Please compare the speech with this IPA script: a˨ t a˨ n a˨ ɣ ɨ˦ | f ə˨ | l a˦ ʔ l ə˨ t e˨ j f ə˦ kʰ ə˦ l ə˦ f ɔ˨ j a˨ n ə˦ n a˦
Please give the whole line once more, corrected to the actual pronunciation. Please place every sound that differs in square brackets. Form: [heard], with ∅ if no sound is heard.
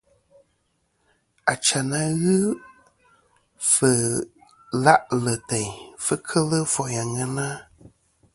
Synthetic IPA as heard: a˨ [t͡ʃ] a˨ n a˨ ɣ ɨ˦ | f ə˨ | l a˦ ʔ l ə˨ t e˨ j f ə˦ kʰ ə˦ l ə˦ f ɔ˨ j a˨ [ŋ] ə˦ n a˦